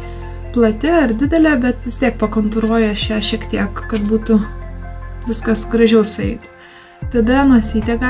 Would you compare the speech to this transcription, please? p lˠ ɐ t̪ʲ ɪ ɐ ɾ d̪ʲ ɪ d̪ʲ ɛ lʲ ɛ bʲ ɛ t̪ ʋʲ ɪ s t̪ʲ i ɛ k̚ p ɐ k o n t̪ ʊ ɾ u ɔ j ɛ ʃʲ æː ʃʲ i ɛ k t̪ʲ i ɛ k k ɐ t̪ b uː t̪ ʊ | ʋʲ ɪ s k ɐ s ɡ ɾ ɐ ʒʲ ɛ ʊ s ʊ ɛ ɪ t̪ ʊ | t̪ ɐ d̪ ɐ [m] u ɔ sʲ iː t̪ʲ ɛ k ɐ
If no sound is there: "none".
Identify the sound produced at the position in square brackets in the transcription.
n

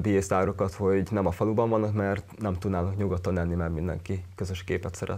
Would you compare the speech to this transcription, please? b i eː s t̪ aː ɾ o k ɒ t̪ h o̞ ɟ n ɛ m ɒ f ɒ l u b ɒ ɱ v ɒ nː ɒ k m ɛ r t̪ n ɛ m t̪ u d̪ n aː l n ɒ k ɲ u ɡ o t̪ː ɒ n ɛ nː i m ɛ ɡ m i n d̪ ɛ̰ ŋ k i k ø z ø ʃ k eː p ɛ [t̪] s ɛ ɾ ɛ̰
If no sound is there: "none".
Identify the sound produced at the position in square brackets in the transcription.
t̪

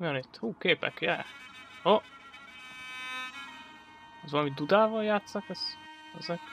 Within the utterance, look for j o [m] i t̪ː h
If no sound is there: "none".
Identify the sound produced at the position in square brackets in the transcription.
n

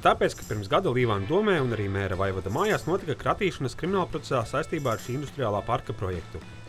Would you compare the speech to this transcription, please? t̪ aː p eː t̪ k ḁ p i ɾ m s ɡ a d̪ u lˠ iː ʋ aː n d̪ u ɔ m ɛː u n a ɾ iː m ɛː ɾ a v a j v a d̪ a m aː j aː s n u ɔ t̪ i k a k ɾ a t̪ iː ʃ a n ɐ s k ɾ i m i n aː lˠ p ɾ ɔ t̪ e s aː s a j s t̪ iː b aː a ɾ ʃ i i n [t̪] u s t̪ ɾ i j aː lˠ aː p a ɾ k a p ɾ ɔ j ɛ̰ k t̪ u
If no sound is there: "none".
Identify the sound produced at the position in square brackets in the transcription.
d̪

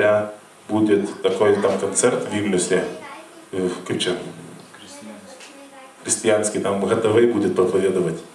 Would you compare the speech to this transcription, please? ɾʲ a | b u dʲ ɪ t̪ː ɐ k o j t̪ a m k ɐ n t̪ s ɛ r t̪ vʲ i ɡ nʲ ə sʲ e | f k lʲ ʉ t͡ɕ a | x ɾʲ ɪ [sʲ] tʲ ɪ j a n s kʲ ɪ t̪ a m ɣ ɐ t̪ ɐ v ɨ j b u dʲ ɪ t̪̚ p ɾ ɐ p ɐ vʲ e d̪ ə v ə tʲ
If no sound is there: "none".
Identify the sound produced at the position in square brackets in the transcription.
sʲ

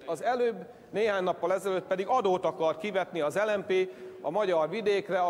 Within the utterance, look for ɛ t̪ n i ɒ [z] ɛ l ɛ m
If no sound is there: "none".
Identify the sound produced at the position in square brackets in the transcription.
z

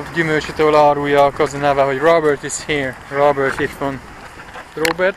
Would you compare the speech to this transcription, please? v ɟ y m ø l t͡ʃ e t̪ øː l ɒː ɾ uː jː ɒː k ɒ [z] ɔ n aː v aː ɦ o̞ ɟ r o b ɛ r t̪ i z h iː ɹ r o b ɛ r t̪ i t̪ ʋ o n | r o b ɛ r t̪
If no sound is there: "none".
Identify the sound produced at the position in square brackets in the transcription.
z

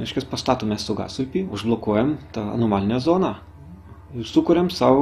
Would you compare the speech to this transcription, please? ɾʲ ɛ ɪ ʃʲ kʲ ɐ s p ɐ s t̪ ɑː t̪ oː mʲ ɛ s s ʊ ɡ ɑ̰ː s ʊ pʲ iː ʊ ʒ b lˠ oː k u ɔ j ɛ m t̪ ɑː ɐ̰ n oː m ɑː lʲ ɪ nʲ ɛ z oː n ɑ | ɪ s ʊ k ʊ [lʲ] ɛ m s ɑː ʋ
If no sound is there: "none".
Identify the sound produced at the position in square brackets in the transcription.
ɾʲ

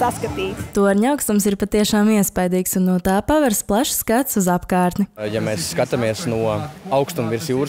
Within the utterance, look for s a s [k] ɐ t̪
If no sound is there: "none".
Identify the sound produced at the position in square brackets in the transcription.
k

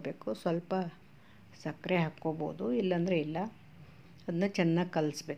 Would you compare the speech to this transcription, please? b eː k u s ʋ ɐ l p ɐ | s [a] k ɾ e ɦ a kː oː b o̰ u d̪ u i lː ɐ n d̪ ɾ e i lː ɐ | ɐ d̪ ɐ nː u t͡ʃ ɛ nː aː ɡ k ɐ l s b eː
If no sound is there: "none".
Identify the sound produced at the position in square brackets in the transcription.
ɐ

